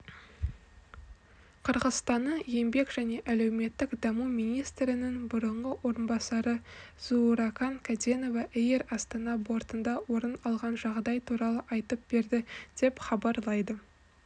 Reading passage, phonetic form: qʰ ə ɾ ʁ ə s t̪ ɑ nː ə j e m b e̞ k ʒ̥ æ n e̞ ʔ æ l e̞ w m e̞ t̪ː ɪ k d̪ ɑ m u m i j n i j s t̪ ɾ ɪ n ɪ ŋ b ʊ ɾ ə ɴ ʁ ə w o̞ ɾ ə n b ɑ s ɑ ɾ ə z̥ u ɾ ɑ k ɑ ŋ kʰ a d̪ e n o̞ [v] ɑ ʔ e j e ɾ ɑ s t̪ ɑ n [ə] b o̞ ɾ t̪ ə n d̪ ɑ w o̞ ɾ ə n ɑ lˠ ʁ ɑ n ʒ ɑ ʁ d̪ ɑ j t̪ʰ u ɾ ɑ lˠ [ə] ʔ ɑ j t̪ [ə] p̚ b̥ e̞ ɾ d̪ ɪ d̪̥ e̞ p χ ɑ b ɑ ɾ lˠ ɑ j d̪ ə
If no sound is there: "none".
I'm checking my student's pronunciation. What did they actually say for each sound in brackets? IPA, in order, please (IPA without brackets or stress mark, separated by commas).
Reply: v, ɑ, ə, ə